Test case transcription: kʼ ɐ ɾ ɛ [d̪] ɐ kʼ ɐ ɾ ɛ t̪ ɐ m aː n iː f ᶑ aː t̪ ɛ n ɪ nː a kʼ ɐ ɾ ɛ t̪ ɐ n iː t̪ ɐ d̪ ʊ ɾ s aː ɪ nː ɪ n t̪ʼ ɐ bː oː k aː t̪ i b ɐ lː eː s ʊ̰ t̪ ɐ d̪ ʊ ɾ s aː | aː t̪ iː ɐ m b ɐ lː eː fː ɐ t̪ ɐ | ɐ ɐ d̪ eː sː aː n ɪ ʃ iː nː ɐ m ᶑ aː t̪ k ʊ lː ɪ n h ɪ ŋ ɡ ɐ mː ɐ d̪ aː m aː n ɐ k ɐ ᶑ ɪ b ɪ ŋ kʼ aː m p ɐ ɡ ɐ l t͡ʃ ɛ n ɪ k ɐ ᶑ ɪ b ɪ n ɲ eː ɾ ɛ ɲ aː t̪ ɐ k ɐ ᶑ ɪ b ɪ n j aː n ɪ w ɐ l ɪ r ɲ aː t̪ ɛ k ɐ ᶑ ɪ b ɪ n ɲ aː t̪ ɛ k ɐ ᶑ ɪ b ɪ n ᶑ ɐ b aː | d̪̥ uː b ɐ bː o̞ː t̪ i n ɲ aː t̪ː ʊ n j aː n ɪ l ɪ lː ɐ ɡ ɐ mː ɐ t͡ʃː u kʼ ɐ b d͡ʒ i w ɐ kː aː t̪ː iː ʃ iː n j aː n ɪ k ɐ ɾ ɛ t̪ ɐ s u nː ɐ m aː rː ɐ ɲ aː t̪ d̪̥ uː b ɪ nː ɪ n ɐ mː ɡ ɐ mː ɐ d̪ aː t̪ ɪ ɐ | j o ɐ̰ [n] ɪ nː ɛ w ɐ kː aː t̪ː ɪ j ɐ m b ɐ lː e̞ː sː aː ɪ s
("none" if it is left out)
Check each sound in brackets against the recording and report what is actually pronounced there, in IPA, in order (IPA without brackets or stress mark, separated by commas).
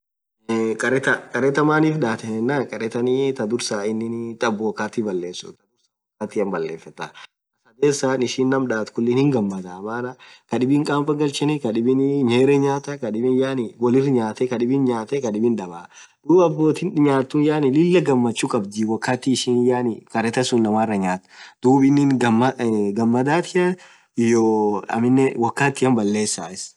t̪, m